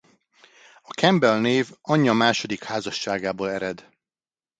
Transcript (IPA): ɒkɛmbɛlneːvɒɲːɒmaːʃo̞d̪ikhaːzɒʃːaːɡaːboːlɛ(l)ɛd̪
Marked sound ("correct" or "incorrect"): incorrect